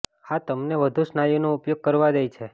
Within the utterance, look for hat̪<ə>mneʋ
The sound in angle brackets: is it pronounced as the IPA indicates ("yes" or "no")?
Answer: yes